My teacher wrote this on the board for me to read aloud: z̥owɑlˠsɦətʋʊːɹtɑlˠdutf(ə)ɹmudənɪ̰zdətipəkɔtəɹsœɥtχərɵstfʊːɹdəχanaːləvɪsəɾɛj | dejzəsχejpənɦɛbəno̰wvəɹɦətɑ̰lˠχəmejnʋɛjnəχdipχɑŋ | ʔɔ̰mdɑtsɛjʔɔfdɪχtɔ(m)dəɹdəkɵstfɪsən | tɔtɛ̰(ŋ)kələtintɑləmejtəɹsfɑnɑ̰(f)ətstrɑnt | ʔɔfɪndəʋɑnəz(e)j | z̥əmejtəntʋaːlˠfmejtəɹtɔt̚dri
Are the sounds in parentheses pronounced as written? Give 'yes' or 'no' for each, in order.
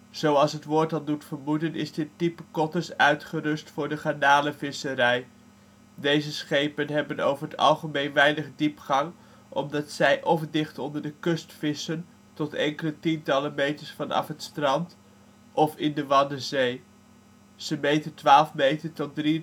yes, no, yes, yes, yes

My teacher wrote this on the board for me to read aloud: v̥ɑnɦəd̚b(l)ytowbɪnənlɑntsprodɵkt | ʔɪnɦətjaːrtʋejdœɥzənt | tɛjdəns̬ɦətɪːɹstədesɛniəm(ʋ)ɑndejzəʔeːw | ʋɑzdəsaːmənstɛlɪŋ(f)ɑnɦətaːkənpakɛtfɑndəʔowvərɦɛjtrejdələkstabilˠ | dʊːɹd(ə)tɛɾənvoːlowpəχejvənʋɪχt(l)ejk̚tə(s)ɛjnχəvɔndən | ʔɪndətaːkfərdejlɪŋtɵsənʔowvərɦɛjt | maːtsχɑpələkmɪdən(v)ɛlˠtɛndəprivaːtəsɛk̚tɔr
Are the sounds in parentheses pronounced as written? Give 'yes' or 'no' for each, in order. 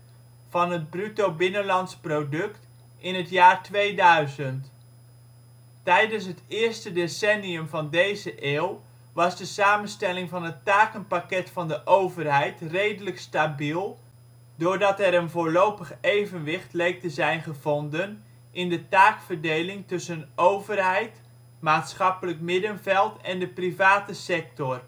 no, no, no, no, yes, no, yes

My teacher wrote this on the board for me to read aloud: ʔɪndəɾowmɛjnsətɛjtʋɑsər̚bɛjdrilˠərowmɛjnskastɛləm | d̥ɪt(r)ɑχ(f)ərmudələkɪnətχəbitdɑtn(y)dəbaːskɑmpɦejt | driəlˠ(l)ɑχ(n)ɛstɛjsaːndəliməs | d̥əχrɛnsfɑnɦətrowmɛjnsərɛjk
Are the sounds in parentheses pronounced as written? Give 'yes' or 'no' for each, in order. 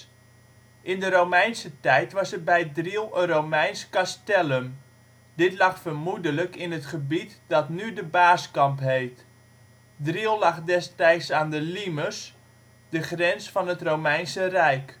no, yes, yes, yes, no

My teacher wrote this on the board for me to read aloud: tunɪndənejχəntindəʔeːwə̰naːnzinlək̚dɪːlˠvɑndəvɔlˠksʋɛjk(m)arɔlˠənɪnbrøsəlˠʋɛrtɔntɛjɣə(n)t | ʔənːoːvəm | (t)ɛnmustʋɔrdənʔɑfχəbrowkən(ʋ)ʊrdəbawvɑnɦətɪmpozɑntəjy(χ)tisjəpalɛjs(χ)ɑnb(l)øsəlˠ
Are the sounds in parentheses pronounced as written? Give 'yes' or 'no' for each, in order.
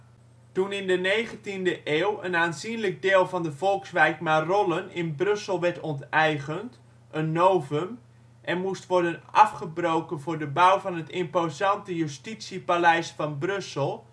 yes, yes, no, no, no, no, no

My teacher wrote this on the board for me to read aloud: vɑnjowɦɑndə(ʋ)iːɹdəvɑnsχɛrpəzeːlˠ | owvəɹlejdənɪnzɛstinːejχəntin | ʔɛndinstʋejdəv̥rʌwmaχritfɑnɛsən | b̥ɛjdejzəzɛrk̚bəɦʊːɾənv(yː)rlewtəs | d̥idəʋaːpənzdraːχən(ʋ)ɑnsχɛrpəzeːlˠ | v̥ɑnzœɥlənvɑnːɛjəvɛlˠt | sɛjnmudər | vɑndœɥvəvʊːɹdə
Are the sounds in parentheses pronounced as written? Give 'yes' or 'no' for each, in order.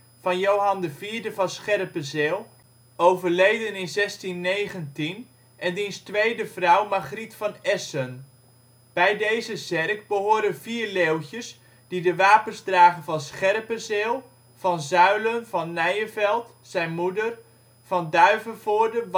no, no, no

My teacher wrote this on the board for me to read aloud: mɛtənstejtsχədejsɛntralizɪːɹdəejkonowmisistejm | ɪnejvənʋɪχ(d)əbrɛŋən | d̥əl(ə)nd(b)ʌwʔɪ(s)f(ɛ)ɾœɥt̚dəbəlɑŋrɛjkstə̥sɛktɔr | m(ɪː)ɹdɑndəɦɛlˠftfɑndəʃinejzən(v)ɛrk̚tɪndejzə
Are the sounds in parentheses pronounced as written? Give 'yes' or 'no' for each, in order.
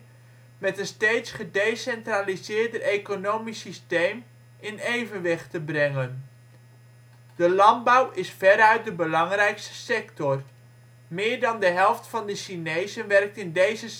no, no, yes, yes, yes, yes, no

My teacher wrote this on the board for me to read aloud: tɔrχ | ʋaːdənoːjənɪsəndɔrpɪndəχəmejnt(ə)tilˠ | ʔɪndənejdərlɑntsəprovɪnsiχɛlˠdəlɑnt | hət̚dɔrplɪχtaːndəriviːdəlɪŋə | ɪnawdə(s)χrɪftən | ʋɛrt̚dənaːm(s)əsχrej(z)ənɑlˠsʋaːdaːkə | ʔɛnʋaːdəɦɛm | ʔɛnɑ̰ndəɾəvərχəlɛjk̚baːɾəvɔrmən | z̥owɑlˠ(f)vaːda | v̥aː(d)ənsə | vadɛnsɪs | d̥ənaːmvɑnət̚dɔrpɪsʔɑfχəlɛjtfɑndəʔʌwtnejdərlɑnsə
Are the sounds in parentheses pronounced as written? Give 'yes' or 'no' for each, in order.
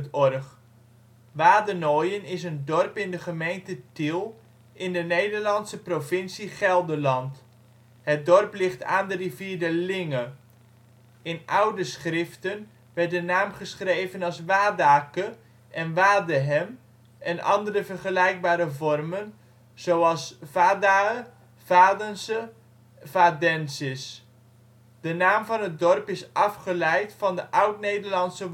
yes, yes, no, no, no, yes

